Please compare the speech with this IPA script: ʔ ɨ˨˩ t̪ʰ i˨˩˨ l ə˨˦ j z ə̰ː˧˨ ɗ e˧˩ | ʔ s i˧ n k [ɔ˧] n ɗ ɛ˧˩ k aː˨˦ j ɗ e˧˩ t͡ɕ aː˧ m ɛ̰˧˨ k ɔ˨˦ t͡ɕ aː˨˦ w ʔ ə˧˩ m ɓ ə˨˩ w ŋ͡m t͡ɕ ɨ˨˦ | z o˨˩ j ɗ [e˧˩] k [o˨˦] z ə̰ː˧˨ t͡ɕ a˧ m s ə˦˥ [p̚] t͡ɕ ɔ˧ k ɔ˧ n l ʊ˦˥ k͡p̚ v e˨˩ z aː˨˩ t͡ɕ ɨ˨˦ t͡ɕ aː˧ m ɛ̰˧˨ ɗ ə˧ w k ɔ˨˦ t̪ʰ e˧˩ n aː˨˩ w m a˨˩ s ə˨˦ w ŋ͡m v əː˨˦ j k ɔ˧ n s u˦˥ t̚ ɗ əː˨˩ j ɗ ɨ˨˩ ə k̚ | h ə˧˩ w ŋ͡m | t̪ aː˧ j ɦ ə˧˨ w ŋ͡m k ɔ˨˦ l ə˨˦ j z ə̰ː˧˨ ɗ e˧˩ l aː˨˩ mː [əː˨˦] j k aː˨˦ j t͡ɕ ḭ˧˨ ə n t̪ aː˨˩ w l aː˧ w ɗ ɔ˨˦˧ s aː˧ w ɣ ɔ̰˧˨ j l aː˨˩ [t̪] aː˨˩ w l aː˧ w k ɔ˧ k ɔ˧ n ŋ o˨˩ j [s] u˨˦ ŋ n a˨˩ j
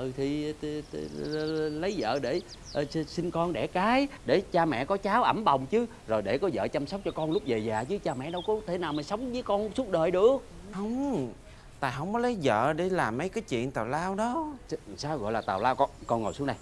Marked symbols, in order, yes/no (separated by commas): yes, yes, no, no, no, yes, yes